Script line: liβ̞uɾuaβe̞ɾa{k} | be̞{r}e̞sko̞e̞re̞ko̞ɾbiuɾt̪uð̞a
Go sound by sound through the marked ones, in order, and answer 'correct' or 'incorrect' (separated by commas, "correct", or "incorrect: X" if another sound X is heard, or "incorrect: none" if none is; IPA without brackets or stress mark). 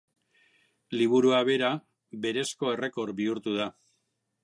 incorrect: none, incorrect: ɾ